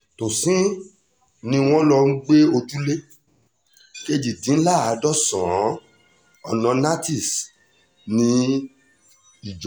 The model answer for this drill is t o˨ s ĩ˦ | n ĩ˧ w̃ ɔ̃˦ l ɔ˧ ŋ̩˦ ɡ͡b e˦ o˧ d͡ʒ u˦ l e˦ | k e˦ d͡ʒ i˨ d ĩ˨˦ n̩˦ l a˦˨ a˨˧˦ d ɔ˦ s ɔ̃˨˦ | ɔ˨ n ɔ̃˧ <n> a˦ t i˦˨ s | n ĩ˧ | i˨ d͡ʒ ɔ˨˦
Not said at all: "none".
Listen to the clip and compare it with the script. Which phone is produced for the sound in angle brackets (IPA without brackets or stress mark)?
n